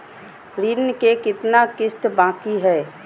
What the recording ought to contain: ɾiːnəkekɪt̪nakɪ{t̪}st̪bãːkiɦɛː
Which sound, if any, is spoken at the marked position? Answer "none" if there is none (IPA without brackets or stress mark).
none